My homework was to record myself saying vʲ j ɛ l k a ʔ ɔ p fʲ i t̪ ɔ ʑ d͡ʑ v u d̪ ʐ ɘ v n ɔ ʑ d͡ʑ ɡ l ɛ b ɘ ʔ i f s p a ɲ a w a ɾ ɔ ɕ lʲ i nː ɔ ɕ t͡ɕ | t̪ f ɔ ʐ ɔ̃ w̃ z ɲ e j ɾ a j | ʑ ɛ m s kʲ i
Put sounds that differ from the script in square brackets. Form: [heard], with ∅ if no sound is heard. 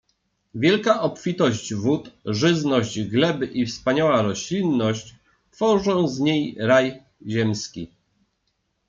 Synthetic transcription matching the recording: vʲ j ɛ l k a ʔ ɔ p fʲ i t̪ ɔ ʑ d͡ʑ v u [t̪] ʐ ɘ [z] n ɔ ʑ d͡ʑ ɡ l ɛ b ɘ ʔ i f s p a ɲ a w a ɾ ɔ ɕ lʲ i nː ɔ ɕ t͡ɕ | t̪ f ɔ ʐ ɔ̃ w̃ z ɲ e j ɾ a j | ʑ ɛ m s kʲ i